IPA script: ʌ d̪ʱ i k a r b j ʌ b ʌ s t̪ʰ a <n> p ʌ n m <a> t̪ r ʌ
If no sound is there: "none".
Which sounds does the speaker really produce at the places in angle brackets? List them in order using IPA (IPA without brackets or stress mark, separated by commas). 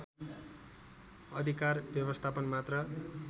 none, a